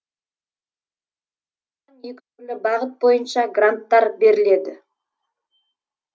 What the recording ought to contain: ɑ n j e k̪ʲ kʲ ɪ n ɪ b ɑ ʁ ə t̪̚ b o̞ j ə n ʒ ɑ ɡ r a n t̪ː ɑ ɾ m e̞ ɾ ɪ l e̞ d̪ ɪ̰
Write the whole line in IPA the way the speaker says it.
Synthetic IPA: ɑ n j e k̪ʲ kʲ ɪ n ɪ b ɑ ʁ ə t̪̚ b o̞ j ə n ʃ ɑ ɡ r a n t̪ː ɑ ɾ b e̞ ɾ ɪ l e̞ d̪ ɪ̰